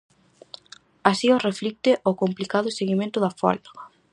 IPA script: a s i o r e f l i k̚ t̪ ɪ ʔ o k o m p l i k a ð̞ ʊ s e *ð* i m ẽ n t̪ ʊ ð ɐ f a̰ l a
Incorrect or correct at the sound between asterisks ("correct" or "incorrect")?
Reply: incorrect